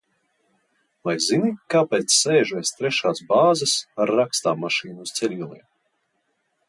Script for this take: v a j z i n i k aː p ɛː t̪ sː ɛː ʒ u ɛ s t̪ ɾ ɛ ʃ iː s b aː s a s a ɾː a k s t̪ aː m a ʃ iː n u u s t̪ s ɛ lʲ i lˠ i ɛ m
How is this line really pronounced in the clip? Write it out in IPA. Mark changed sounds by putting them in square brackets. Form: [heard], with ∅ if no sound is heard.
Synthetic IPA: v a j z i n i k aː p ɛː t̪ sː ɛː ʒ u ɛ s t̪ ɾ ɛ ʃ [aː] s b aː [z] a s a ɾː a k s t̪ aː m a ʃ iː n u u s t̪ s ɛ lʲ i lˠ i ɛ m